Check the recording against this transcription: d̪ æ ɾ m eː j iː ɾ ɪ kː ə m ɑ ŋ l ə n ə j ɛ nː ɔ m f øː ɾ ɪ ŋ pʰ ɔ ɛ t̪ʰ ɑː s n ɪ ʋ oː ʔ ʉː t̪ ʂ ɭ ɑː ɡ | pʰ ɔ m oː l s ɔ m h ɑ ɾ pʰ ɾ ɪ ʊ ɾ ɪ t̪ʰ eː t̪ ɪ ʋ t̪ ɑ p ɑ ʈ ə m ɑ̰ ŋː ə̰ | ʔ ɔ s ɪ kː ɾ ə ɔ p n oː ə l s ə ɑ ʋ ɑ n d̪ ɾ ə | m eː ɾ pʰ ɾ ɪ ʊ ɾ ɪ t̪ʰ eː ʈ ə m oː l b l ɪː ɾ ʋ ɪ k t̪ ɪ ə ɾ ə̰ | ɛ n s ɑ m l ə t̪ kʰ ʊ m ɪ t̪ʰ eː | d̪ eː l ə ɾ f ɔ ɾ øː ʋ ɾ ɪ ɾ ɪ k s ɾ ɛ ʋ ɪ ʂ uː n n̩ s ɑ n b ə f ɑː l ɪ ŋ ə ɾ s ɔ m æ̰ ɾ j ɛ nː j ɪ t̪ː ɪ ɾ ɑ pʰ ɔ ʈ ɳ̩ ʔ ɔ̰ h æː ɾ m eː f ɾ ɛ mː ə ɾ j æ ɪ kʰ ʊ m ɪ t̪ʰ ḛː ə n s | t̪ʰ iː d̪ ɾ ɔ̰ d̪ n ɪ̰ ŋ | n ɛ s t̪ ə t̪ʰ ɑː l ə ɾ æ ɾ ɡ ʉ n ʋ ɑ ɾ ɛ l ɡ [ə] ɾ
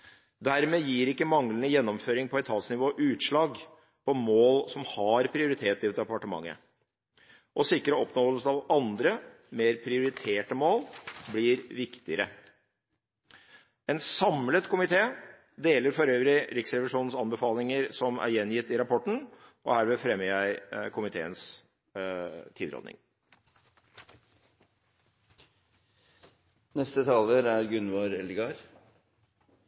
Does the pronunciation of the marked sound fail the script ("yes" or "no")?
yes